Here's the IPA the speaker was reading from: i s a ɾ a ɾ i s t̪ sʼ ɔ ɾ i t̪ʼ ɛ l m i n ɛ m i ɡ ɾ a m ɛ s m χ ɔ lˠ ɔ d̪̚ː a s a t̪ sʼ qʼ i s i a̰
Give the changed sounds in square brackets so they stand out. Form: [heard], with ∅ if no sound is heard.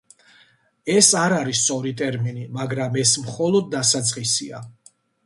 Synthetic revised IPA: [ɛ] s a ɾ a ɾ i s t̪ sʼ ɔ ɾ i t̪ʼ ɛ [ɾ] m i n [i] m [a] ɡ ɾ a m ɛ s m χ ɔ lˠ ɔ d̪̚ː a s a t̪ sʼ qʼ i s i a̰